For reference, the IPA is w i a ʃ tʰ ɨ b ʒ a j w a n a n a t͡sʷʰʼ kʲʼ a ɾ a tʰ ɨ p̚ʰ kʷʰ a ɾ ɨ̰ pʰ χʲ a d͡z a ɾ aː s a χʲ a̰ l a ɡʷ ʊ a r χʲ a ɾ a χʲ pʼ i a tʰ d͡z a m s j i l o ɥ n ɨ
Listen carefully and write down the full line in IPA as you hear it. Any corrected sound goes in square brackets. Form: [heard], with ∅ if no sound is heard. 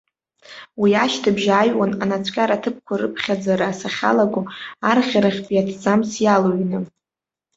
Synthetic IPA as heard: w i a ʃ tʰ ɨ b ʒ a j w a n a n a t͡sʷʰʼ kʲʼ a ɾ a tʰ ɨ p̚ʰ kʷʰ a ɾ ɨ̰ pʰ χʲ a d͡z a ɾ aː s a χʲ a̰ l a ɡʷ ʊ a r χʲ a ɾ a χʲ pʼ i a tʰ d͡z a m s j [a] l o ɥ n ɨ